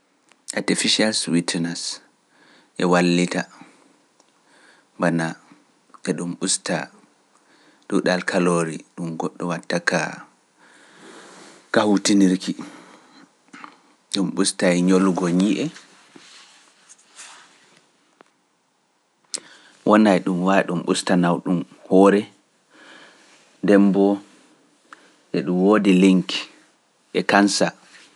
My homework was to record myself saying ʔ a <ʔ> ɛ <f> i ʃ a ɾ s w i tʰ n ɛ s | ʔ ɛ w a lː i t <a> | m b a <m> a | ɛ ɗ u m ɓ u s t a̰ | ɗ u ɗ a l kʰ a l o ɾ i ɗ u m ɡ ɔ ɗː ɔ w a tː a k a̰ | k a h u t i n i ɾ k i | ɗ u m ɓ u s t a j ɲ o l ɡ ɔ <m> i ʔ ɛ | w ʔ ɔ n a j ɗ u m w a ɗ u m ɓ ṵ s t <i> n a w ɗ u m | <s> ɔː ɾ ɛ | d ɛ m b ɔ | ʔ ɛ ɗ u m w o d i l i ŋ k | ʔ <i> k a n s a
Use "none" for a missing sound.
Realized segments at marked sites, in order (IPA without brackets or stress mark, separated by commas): t, f, a, n, ɲ, a, h, ɛ